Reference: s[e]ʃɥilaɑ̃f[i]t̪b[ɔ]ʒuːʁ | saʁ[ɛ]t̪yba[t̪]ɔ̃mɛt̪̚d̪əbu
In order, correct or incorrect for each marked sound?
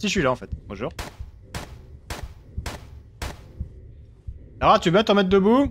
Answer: incorrect, incorrect, incorrect, incorrect, correct

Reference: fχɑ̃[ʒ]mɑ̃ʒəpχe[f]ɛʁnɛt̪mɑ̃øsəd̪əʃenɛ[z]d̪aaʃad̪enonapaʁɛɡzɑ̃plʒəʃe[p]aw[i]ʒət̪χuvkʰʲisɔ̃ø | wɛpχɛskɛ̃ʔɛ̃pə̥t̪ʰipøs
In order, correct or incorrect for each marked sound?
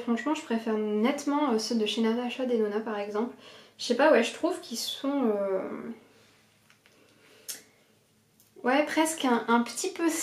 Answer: incorrect, correct, incorrect, correct, incorrect

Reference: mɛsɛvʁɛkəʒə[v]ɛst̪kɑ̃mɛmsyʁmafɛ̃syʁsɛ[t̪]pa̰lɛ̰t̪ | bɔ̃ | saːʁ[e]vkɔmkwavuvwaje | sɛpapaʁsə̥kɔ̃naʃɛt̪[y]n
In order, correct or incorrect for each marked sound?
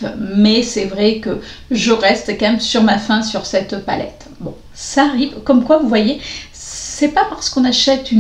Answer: incorrect, correct, incorrect, correct

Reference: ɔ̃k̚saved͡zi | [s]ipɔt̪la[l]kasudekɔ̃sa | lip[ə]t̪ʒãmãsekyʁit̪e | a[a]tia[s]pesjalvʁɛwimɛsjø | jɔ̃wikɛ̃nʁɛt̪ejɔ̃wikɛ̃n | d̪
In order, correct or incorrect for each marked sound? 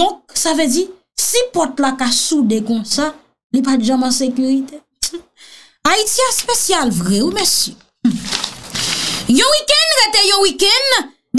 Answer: correct, incorrect, incorrect, incorrect, correct

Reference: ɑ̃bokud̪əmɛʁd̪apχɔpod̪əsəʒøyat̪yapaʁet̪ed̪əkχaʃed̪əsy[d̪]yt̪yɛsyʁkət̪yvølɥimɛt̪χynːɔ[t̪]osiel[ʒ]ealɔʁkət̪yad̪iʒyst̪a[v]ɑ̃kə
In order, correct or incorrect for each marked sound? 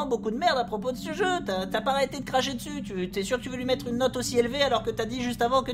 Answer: incorrect, correct, incorrect, correct

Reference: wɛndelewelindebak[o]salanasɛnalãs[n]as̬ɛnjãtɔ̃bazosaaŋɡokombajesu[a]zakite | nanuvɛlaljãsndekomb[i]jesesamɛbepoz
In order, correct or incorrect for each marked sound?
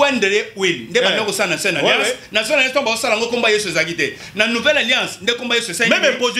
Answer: correct, correct, incorrect, incorrect

